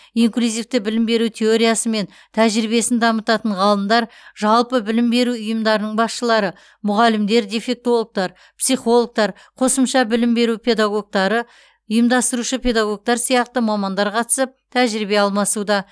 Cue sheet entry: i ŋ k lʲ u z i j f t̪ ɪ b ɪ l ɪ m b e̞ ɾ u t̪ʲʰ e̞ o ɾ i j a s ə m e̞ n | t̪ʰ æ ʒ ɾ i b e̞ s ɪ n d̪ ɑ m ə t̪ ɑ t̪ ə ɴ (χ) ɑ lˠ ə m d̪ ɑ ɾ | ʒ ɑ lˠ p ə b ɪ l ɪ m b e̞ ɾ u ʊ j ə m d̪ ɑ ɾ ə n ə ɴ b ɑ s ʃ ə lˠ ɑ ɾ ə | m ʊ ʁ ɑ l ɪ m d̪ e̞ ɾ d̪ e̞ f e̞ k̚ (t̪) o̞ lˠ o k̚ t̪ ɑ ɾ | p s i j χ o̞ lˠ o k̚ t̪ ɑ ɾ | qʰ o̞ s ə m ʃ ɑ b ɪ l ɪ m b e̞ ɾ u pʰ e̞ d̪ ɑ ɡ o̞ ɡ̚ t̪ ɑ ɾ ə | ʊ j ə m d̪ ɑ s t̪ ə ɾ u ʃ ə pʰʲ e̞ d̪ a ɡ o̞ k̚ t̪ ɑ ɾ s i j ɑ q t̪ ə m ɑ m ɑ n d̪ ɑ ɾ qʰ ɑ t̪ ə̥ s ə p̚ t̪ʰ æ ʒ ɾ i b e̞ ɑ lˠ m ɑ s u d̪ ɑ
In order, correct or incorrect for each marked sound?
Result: incorrect: ʁ, correct

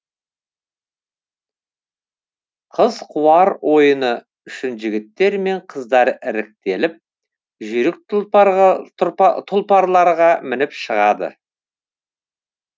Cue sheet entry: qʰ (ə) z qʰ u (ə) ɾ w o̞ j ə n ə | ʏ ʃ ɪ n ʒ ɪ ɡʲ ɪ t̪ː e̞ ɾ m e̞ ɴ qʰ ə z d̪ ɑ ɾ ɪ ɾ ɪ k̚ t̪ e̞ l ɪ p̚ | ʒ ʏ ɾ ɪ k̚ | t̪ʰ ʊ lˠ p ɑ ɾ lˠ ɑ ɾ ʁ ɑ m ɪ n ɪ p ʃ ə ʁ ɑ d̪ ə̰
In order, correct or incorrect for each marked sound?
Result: correct, incorrect: ɑ

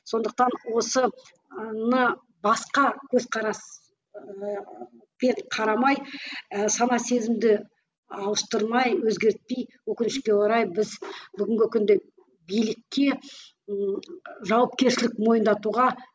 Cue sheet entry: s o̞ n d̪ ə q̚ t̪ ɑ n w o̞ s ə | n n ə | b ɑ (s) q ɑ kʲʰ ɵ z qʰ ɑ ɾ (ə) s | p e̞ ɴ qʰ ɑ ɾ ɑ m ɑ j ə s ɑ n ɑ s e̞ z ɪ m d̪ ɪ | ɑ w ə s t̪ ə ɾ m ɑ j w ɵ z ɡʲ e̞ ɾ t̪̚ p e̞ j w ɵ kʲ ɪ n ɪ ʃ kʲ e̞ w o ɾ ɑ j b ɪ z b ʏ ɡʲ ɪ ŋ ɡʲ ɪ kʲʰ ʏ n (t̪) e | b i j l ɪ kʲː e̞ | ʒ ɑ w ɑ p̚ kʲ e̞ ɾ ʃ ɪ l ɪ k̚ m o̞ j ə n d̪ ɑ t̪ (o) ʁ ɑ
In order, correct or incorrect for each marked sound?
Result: correct, incorrect: ɑ, incorrect: d̪, incorrect: u

